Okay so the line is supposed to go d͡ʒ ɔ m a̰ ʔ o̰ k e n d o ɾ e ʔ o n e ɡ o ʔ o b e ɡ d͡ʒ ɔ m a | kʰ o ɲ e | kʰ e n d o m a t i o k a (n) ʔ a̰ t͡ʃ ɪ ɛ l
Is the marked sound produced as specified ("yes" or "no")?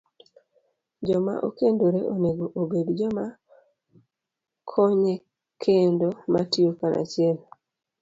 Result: yes